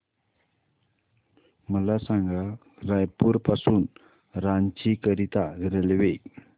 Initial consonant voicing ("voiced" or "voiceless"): voiced